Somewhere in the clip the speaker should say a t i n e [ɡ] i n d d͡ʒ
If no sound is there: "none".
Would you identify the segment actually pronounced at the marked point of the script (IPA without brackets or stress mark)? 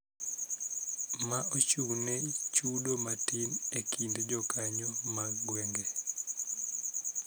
k